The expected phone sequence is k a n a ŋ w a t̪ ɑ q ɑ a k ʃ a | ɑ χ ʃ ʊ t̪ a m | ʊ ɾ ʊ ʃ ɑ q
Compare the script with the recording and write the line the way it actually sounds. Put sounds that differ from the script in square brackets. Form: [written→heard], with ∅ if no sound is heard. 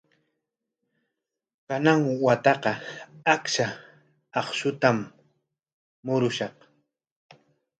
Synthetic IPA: k a n a ŋ w a t̪ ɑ q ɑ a k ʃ a | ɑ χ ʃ ʊ t̪ a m | ʊ ɾ ʊ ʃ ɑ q

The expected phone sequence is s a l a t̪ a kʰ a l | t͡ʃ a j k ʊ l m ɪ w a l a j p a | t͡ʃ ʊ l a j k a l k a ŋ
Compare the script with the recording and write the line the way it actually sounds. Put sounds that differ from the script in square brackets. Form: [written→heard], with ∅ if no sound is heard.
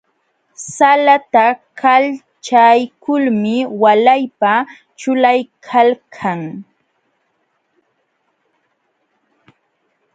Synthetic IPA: s a l a t̪ a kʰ a l | t͡ʃ a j k ʊ l m ɪ w a l a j p a | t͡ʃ ʊ l a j [k→kʰ] a l [k→kʰ] a ŋ

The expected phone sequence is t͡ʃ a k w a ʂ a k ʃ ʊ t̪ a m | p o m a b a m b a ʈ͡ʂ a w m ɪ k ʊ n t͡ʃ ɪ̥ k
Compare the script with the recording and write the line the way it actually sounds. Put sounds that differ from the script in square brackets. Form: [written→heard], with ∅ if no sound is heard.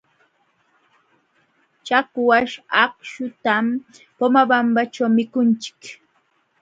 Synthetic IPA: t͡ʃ a k w a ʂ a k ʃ ʊ t̪ a m | p o m a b a m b a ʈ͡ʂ a w m ɪ k ʊ n t͡ʃ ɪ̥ k

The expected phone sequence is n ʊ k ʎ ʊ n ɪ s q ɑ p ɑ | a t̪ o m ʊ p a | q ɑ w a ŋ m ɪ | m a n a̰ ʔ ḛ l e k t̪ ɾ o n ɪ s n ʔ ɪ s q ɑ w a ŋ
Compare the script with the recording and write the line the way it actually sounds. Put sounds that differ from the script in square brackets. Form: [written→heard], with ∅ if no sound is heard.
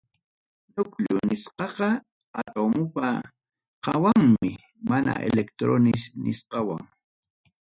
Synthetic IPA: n ʊ k ʎ ʊ n ɪ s q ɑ [p→q] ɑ | a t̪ o m ʊ p a | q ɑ w a ŋ m ɪ | m a n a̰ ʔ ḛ l e k t̪ ɾ o n ɪ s n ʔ ɪ s q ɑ w a ŋ

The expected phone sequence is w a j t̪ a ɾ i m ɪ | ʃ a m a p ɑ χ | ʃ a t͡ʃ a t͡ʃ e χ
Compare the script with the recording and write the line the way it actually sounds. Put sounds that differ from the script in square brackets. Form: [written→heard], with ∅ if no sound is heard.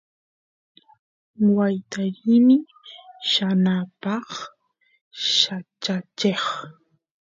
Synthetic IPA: w a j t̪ a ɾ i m ɪ | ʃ a [m→n] a p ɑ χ | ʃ a t͡ʃ a t͡ʃ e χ

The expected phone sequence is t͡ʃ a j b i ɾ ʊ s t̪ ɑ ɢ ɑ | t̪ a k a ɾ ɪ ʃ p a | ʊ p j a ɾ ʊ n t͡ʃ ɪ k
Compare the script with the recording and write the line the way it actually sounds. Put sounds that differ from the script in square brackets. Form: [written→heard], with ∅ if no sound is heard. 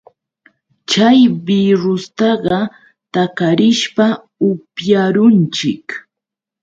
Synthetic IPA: t͡ʃ a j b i ɾ ʊ s t̪ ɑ ɢ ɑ | t̪ a k a ɾ ɪ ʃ p a | ʊ p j a ɾ ʊ n t͡ʃ ɪ k

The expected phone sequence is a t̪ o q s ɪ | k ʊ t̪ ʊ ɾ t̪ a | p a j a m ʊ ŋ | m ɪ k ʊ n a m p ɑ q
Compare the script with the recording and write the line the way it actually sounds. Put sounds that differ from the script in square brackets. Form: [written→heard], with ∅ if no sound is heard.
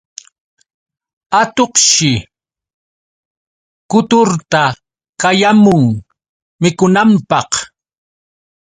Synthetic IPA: a t̪ o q [s→ʃ] ɪ | k ʊ t̪ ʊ ɾ t̪ a | [p→k] a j a m ʊ ŋ | m ɪ k ʊ n a m p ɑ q

